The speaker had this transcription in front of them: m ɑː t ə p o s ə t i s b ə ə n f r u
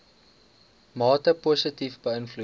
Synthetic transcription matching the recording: m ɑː t ə p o s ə t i f b ə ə n f l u